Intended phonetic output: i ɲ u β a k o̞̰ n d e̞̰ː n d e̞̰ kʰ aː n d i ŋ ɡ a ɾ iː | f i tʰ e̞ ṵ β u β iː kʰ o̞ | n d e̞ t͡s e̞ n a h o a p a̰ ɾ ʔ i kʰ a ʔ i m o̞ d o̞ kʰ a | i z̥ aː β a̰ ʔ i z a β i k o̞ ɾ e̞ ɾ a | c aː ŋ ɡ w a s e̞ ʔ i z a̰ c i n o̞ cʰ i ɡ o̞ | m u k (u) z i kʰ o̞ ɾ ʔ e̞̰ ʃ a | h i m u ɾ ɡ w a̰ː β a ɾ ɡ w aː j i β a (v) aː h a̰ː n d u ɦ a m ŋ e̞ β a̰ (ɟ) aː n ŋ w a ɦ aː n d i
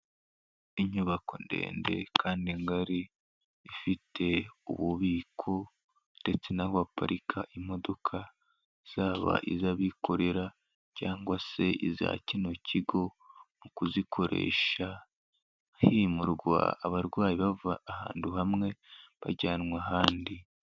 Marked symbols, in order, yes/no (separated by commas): yes, yes, yes